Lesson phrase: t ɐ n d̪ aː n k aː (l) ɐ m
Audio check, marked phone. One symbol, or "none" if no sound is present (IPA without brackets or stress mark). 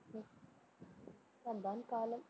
l